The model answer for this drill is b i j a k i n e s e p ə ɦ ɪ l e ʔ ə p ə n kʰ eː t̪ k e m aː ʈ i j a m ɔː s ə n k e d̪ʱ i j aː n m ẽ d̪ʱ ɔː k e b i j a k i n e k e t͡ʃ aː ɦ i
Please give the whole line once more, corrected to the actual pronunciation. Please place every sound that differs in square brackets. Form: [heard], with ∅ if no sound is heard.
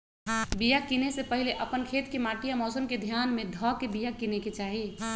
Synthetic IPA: b i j a k i n e s e p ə ɦ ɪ l e ʔ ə p ə n kʰ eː t̪ k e m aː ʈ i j a m ɔː s ə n k e d̪ʱ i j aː n m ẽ d̪ʱ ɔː k e b i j a k i n e k e t͡ʃ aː ɦ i

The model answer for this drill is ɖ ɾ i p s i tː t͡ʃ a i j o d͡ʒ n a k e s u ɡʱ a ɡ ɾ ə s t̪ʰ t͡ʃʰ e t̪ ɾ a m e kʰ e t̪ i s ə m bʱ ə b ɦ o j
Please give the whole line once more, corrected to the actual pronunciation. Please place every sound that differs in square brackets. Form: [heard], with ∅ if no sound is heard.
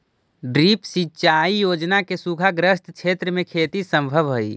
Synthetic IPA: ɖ ɾ i p s i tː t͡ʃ a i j o d͡ʒ n a k e s u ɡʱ a ɡ ɾ ə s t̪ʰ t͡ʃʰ e t̪ ɾ [ə] m e kʰ e t̪ i s ə m bʱ ə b ɦ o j

